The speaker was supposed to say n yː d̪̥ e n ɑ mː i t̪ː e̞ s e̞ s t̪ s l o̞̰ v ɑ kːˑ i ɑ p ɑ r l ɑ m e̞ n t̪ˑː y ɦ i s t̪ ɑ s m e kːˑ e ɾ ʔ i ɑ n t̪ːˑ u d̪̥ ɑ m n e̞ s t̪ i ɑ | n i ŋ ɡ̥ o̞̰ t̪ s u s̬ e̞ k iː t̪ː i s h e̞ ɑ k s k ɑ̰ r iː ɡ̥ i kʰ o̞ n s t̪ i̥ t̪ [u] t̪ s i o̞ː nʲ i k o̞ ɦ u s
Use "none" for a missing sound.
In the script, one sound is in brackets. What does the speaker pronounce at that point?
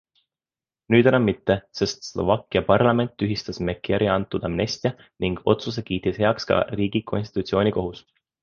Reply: u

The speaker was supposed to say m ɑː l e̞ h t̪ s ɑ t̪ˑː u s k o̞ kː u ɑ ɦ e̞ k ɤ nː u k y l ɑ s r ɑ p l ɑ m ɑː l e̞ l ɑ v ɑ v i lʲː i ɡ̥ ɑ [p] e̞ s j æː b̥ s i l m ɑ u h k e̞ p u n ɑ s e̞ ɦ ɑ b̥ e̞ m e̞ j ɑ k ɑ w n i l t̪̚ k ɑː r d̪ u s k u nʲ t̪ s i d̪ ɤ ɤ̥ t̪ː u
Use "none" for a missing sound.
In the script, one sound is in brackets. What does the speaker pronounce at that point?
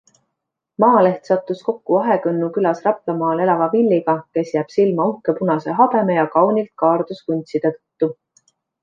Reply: k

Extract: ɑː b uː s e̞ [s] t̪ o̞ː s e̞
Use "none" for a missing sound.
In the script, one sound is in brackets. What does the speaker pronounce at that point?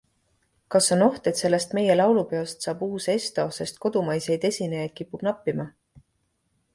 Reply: s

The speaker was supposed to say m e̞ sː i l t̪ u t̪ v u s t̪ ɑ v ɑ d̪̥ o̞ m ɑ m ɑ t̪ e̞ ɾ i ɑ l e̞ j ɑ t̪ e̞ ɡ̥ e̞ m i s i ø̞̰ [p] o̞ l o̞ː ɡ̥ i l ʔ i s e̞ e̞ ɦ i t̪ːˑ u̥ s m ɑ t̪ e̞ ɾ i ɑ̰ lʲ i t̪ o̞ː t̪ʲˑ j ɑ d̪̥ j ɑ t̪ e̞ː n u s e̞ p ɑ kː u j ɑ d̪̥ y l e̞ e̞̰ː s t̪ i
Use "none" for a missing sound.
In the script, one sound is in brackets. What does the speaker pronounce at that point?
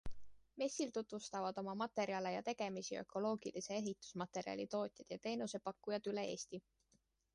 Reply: k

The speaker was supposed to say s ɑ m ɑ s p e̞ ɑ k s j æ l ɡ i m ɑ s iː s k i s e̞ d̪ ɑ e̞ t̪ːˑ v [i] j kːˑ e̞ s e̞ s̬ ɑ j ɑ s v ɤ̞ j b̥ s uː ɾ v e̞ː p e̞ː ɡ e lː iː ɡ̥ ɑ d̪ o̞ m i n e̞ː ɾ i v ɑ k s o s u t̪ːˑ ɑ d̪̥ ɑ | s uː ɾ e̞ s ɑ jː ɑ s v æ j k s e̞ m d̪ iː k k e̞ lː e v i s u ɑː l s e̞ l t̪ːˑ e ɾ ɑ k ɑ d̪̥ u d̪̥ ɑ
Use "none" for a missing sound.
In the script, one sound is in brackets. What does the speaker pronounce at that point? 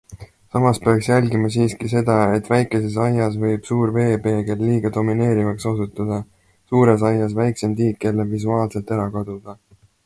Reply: æ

